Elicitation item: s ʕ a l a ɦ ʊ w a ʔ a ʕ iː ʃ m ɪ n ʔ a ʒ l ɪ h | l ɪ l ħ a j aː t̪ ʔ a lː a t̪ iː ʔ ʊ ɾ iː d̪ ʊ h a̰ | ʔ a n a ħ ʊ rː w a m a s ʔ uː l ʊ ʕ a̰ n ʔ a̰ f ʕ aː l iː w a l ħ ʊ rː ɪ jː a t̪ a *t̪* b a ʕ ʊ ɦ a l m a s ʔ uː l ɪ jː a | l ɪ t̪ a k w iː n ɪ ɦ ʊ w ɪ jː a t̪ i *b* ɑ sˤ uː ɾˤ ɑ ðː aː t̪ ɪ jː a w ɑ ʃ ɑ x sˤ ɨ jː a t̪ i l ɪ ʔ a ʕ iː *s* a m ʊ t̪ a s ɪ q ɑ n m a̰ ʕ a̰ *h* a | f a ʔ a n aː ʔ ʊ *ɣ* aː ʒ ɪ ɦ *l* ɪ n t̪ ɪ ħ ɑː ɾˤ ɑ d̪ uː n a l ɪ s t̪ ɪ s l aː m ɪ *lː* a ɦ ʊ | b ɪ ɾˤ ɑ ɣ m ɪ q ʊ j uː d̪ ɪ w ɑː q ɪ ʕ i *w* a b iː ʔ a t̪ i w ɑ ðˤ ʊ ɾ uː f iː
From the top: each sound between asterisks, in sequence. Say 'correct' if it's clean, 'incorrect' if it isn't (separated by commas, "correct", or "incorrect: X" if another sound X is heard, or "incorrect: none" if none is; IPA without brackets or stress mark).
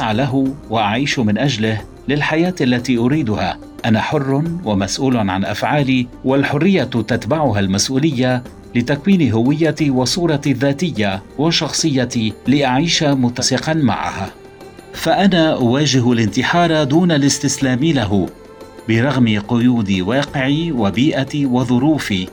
correct, incorrect: w, incorrect: ʃ, correct, incorrect: w, correct, incorrect: l, correct